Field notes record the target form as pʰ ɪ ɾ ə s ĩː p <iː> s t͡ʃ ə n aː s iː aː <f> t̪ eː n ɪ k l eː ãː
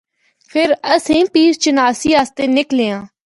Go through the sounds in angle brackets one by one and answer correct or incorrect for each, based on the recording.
correct, incorrect

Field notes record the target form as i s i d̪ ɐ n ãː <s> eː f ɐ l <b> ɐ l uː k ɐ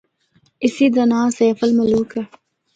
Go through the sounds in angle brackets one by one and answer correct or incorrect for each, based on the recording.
correct, incorrect

